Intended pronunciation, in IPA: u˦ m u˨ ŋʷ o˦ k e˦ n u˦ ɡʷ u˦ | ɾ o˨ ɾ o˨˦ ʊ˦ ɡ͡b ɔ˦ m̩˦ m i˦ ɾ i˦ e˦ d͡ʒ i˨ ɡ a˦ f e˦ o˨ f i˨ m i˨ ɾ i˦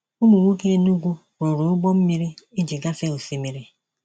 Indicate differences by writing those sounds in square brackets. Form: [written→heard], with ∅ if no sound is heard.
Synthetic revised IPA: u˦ m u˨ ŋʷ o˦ k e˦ n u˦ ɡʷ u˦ | ɾ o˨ ɾ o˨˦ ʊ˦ ɡ͡b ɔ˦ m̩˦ m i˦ ɾ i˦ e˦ d͡ʒ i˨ ɡ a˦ f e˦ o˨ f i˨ m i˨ ɾ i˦